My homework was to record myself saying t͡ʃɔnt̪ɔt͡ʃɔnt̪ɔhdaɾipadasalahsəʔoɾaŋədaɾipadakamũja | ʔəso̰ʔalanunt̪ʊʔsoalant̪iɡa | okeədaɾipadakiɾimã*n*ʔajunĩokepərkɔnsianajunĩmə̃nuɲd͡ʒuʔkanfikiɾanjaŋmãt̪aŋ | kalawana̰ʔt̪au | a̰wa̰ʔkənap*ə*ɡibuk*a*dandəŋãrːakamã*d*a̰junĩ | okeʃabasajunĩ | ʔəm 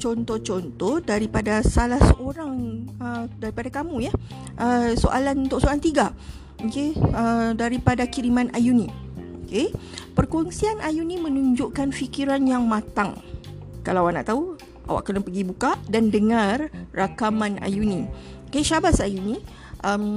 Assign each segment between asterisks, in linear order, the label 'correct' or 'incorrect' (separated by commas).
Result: correct, correct, correct, incorrect